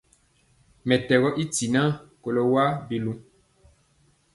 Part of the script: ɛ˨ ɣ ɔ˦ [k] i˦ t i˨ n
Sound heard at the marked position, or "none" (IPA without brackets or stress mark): ʔ